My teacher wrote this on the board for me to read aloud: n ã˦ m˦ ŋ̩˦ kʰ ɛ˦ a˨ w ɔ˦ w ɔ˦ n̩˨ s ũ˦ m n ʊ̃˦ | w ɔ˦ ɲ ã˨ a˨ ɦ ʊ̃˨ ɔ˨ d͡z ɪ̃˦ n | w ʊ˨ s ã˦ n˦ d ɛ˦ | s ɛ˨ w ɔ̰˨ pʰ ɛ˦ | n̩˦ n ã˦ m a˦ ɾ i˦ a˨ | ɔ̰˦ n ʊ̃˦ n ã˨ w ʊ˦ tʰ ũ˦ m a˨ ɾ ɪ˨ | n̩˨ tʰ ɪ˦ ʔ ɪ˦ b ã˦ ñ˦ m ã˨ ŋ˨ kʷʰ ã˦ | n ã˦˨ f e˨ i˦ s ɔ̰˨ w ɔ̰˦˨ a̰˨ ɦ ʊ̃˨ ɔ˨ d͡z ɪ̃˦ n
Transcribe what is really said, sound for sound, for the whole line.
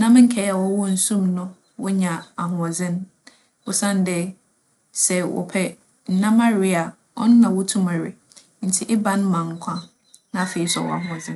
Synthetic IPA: n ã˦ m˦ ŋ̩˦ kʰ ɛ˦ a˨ w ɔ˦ w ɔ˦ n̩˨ s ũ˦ m n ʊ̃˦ | w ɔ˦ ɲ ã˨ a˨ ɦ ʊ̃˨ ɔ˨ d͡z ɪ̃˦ n | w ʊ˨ s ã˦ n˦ d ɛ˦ | s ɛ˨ w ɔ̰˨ pʰ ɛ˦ | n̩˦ n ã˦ m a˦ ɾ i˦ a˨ | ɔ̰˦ n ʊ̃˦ n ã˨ w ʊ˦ tʰ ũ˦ m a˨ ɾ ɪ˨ | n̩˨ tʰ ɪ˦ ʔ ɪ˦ b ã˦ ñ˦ m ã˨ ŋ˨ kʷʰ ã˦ | n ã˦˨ f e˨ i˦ s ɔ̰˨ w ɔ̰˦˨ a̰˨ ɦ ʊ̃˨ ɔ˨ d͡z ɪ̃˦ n